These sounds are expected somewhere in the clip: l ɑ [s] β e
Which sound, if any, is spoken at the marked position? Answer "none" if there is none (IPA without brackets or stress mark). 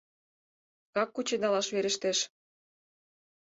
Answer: ʃ